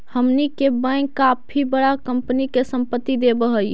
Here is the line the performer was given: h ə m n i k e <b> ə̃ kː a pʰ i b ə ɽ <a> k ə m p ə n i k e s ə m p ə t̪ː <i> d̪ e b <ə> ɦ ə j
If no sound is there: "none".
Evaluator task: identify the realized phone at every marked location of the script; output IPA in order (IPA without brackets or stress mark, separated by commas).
b, a, i, ə